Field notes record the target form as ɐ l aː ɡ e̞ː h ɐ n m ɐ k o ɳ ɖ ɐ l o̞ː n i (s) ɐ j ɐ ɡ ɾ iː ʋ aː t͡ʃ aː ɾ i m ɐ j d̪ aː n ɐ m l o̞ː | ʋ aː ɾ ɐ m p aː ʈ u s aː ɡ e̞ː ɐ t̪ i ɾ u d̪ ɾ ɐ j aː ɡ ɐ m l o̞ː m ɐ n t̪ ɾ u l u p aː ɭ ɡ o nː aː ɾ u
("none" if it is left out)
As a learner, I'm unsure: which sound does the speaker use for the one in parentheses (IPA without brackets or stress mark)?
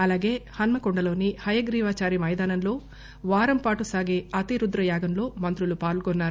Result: h